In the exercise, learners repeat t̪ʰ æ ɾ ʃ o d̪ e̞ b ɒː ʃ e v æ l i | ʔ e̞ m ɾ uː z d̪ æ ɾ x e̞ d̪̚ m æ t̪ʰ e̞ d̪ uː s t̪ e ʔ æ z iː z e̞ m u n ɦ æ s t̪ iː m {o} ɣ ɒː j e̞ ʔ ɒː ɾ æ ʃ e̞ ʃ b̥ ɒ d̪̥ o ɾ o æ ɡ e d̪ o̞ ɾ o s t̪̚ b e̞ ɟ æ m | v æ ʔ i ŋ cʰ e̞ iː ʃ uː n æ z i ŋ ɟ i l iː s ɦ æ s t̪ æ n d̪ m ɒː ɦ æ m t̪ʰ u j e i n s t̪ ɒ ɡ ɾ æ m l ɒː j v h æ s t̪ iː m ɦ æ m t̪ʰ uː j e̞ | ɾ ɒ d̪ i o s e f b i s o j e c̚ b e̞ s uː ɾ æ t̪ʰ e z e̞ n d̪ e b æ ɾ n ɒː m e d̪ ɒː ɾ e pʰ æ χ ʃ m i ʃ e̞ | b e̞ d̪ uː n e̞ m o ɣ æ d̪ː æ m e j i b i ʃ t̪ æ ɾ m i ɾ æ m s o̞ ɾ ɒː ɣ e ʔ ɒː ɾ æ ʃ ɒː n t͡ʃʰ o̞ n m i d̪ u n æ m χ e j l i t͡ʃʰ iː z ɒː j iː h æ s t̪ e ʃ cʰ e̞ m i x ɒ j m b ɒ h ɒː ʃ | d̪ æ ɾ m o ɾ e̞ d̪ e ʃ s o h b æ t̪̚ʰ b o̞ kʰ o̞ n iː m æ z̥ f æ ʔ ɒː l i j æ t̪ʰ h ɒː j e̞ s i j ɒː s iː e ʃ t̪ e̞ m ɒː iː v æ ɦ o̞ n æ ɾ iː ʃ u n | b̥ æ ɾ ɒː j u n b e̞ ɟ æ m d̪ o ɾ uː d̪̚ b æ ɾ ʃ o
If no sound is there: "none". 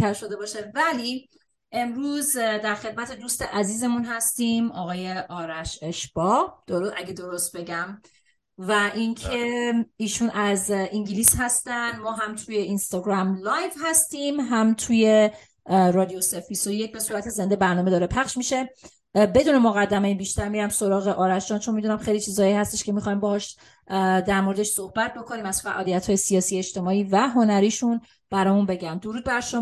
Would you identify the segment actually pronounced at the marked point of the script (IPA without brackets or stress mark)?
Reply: ɒ